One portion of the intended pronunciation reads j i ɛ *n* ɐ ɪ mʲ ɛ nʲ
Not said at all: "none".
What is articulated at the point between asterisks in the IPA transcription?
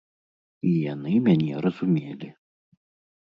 n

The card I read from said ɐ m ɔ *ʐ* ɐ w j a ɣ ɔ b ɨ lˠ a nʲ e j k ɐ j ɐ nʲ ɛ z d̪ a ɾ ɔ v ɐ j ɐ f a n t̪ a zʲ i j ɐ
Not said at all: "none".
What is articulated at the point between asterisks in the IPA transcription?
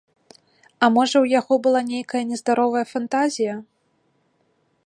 ʐ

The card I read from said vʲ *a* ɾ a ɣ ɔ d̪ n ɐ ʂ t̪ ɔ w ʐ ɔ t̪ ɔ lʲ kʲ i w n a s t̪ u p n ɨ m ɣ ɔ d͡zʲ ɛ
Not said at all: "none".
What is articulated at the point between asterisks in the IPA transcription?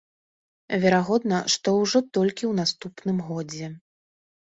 ɛ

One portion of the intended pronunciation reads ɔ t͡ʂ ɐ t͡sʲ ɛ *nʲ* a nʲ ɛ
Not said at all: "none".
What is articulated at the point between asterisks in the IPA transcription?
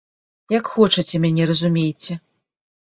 mʲ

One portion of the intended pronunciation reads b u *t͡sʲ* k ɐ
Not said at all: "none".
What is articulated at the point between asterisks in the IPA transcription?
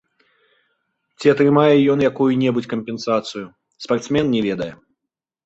t͡sʲ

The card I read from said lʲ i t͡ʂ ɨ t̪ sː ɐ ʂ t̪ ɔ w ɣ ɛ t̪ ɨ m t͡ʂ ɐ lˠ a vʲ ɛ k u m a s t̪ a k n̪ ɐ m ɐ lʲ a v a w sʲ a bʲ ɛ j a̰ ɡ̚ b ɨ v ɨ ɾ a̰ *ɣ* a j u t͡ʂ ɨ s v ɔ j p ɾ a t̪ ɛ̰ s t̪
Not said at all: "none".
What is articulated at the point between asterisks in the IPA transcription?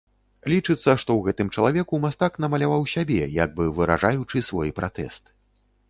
ʐ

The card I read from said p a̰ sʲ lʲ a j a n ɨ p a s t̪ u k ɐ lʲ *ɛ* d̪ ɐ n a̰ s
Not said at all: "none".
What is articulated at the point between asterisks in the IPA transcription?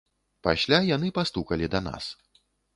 i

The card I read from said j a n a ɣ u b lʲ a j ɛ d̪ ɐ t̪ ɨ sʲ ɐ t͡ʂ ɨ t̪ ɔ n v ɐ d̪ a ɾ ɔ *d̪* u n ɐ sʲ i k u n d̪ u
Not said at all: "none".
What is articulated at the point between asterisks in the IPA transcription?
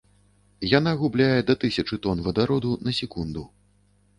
d̪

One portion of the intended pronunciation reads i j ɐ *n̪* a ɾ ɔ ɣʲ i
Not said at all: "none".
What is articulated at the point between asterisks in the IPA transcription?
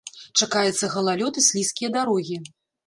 d̪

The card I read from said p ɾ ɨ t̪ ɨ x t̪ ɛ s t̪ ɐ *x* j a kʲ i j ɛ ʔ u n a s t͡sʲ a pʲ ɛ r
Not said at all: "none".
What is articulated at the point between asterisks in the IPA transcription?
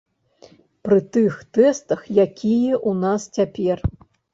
x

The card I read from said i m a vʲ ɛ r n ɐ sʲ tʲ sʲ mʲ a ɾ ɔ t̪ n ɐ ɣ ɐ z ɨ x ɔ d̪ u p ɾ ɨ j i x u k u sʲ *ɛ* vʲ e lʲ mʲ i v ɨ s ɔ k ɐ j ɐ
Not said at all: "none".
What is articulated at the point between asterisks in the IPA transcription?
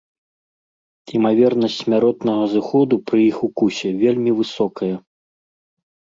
ɛ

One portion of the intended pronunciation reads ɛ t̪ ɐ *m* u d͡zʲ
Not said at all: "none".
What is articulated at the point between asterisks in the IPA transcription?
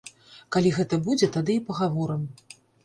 b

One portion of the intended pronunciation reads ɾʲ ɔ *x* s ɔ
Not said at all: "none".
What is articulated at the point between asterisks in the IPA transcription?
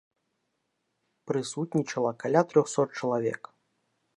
x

